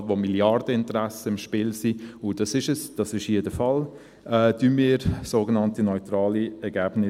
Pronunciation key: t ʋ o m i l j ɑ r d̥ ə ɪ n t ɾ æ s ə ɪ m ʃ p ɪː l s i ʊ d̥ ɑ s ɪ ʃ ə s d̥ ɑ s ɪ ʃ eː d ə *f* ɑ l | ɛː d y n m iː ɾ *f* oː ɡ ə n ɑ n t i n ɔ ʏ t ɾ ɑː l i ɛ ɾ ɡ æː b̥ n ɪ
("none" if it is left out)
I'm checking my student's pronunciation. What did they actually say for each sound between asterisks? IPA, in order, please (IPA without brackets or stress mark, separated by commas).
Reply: f, s